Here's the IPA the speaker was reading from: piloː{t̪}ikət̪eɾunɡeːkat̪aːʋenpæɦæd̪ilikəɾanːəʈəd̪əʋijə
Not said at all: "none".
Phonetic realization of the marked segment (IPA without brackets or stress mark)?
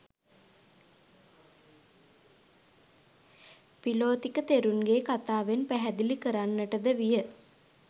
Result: t̪